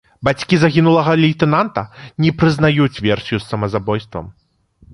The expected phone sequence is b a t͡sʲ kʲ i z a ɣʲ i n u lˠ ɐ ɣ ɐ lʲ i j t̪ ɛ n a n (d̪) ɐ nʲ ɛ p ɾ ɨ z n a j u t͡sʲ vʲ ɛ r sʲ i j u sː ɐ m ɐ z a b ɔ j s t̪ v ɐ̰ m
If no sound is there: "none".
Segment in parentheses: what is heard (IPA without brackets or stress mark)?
t̪